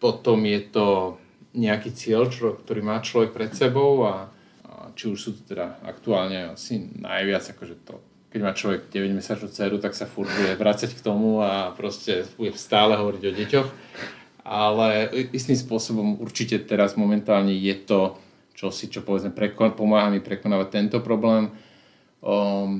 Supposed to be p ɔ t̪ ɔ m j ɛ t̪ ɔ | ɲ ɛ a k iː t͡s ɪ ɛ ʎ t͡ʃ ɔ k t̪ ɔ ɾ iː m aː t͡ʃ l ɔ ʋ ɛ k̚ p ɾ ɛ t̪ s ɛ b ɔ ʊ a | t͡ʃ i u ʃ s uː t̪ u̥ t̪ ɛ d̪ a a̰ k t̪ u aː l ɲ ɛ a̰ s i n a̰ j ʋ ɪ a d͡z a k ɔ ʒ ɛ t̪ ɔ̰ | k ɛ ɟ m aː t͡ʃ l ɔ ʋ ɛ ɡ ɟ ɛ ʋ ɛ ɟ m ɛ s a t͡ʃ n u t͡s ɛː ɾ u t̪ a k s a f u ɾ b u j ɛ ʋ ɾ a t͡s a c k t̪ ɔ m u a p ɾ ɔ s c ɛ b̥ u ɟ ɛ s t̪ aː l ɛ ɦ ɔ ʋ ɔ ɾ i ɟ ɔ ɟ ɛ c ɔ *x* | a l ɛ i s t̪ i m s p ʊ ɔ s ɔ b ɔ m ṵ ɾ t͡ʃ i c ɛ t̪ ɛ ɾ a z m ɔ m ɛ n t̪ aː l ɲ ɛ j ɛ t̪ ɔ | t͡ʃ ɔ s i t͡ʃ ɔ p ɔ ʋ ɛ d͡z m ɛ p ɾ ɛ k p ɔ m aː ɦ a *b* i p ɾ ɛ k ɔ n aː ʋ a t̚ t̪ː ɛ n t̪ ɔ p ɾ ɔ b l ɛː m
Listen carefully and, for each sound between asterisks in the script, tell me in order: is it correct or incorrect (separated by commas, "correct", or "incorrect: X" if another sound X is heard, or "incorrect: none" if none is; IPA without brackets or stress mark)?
correct, incorrect: m